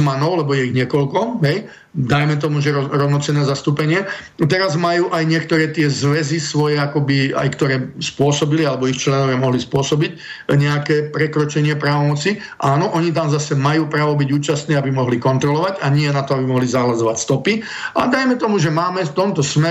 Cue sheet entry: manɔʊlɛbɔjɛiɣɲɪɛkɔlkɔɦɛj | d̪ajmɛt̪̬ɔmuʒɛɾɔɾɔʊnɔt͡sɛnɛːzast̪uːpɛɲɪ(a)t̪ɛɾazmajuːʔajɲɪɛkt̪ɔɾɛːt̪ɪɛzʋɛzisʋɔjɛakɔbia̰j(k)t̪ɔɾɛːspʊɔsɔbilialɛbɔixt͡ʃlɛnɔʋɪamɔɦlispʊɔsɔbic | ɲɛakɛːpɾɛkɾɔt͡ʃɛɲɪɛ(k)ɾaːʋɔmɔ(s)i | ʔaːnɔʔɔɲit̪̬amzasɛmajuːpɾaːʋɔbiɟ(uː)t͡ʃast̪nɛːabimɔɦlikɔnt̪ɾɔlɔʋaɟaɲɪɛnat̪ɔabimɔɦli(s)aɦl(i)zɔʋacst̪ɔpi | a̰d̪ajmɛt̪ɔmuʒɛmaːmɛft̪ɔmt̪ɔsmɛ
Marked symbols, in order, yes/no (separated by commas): no, yes, no, no, yes, no, no